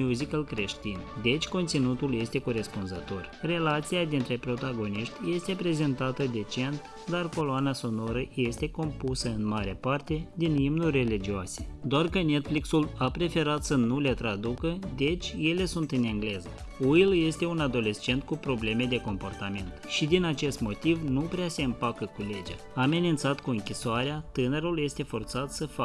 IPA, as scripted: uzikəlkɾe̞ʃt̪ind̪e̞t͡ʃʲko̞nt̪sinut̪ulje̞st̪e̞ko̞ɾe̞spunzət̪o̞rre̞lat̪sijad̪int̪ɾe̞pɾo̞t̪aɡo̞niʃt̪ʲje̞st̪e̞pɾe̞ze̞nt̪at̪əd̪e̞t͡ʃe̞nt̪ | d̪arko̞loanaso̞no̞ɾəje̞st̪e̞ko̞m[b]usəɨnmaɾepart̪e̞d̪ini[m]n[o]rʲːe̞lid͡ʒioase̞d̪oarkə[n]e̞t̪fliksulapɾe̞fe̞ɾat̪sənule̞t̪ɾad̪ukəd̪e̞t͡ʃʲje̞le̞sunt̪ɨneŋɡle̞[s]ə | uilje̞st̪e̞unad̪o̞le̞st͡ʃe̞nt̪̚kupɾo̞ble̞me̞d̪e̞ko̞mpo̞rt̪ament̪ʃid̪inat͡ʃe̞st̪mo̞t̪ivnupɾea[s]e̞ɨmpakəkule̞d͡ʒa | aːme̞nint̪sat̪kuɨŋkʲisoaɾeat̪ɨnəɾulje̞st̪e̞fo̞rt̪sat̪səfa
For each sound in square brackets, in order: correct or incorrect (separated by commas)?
incorrect, correct, incorrect, correct, incorrect, correct